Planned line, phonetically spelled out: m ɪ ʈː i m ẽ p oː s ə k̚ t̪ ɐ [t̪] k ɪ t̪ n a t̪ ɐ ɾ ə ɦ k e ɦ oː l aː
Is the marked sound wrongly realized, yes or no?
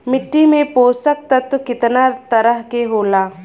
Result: no